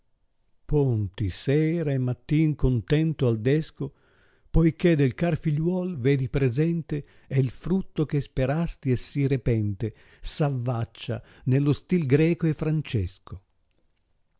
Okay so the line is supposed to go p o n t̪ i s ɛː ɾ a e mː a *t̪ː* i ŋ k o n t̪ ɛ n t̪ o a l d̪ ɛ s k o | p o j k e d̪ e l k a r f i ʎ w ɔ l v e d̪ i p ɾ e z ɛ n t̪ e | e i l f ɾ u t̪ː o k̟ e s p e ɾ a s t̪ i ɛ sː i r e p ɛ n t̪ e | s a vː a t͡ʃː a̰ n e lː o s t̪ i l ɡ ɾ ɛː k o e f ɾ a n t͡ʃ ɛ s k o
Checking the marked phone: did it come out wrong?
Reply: no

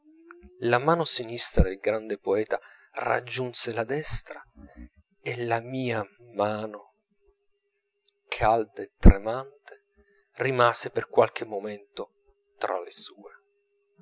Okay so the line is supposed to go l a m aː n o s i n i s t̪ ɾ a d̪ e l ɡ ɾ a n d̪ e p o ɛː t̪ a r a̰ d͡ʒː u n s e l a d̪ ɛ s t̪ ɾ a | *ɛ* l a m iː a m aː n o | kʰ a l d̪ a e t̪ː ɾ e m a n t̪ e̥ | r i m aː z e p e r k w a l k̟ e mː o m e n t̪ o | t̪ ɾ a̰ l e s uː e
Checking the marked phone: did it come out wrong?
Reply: yes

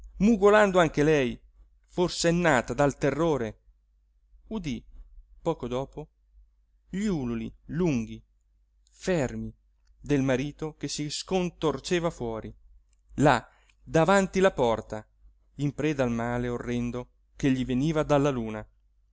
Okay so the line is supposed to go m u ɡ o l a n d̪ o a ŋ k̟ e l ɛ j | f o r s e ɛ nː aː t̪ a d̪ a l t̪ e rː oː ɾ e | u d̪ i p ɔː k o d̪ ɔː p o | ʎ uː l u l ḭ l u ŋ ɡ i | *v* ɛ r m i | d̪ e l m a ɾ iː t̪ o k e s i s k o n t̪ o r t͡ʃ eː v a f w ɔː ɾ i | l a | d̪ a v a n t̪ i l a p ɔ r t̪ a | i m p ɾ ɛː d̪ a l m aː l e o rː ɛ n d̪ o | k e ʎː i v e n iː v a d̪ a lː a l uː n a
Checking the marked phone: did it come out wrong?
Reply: yes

